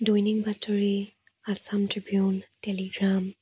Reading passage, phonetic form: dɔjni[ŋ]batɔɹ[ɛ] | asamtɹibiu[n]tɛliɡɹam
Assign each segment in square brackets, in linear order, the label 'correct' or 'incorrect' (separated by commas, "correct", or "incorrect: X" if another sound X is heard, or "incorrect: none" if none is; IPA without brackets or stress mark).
correct, incorrect: i, correct